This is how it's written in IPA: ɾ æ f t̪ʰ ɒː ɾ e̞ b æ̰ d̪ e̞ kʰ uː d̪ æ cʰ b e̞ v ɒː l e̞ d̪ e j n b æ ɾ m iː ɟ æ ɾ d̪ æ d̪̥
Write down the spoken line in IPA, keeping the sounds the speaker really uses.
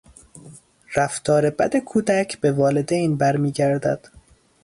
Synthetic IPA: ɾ æ f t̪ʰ ɒː ɾ e̞ b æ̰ d̪ e̞ kʰ uː d̪ æ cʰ b e̞ v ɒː l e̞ d̪ e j n b æ ɾ m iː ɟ æ ɾ d̪ æ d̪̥